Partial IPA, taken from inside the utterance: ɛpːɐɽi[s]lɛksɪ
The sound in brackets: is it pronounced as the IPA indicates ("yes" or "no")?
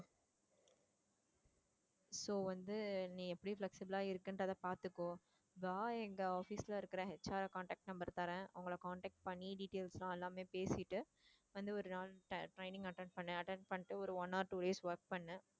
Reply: no